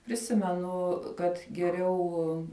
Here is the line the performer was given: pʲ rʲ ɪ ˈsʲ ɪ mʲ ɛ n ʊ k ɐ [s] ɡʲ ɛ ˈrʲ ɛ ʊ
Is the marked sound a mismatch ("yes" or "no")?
yes